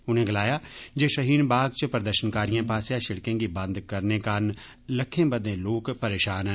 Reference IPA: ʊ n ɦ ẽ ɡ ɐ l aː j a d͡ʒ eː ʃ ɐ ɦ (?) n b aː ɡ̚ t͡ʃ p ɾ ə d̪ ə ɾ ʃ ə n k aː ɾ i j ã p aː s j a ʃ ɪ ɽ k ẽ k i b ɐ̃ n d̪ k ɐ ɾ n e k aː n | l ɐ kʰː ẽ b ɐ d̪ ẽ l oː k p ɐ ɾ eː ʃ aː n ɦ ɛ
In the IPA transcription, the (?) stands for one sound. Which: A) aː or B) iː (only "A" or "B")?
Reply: B